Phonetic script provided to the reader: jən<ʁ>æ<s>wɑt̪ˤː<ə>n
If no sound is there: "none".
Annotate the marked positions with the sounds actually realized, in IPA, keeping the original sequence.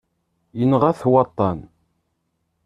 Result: ʁ, θ, ɑ

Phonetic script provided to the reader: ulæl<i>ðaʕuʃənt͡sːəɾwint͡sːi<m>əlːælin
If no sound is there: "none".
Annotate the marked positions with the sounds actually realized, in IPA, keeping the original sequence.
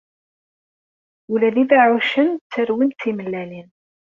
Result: i, m

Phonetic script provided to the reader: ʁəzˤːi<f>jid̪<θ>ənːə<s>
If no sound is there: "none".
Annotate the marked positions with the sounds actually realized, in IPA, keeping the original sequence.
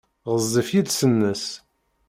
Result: f, s, s

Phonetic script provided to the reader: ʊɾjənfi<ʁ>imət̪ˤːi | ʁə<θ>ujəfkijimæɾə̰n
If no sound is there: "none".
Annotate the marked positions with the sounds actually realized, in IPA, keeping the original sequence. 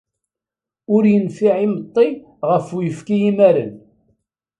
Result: ʕ, f

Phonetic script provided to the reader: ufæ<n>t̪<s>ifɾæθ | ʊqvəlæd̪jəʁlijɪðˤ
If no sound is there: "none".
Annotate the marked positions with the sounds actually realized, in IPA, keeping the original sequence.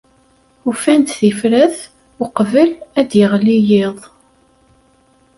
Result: n, θ

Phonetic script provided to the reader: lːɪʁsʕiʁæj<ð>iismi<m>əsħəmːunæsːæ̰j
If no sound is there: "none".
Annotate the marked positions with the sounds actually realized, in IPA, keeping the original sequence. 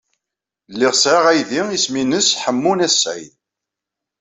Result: ð, n

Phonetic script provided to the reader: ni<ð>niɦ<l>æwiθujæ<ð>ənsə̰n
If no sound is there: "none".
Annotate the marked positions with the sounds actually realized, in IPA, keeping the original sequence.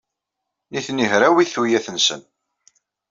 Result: θ, ɾ, θ

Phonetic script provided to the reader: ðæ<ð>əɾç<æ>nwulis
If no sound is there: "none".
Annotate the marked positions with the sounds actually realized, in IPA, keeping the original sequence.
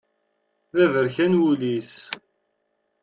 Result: v, æ

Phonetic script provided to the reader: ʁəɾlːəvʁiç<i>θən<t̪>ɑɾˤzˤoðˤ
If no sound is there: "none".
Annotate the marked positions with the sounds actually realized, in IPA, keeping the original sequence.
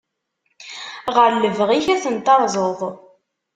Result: æ, t̪

